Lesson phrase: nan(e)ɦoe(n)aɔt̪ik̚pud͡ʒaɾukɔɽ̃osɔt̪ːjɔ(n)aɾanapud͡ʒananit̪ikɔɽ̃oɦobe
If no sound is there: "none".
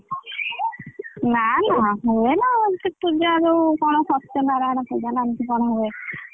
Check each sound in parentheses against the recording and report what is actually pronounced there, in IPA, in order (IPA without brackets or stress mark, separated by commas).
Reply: a, n, n